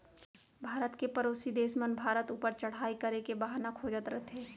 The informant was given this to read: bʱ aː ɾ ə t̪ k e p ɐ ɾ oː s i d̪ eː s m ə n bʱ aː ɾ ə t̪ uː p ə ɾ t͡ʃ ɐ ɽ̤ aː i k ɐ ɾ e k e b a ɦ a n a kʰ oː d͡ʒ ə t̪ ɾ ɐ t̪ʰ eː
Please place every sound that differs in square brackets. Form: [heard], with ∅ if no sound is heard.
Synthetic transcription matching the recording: bʱ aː ɾ ə t̪ k e p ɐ ɾ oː s i d̪ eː s m ə n bʱ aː ɾ ə t̪ uː p ə ɾ t͡ʃ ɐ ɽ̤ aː i k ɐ ɾ e k e b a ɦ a n a kʰ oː d͡ʒ ə t̪ ɾ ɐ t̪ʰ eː